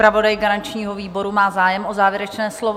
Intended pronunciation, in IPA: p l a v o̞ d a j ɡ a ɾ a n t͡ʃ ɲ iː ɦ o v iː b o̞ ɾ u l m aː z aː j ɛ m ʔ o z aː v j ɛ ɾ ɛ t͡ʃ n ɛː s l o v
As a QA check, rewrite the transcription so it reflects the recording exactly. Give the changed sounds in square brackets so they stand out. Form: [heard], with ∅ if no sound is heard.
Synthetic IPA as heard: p [ɾ] a v o̞ d a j ɡ a ɾ a n t͡ʃ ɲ iː ɦ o v iː b o̞ ɾ u [∅] m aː z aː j ɛ m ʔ o z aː v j ɛ ɾ ɛ t͡ʃ n ɛː s l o v